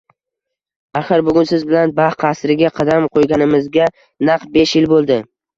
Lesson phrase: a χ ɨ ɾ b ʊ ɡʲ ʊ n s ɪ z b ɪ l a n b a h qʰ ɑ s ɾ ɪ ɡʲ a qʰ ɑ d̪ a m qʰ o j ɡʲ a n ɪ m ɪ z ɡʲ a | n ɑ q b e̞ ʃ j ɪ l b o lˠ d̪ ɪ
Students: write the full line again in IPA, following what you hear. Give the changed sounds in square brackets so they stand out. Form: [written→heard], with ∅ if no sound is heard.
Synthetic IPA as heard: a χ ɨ ɾ b ʊ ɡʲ ʊ n s ɪ z b ɪ l a n b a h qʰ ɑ s ɾ ɪ ɡʲ a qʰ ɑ d̪ a m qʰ o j ɡʲ a n ɪ m ɪ z ɡʲ a | n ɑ q b e̞ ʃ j ɪ l b o lˠ d̪ ɪ